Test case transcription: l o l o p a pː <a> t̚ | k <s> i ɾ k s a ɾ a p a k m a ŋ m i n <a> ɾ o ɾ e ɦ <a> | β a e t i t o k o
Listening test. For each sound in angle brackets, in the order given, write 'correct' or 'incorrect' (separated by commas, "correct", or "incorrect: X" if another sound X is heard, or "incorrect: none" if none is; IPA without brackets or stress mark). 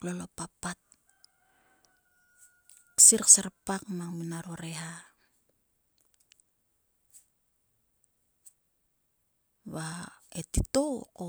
correct, correct, correct, correct